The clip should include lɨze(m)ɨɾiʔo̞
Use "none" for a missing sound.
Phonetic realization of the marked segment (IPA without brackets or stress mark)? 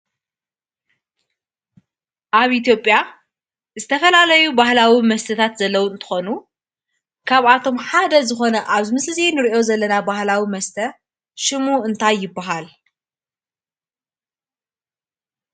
n